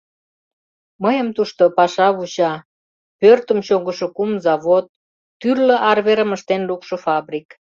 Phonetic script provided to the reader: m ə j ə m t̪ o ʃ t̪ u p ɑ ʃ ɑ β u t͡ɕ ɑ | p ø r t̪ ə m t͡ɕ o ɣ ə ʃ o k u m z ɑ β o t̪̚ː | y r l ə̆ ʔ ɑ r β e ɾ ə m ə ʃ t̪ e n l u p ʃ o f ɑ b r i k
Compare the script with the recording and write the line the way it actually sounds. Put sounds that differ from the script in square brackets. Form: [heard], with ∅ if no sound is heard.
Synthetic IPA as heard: m ə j ə m t̪ [u] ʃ t̪ [o] p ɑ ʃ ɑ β u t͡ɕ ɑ | p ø r t̪ ə m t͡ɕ o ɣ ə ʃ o k u m z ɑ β o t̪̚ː | y r l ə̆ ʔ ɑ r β e ɾ ə m ə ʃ t̪ e n l u [k] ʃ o f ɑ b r i k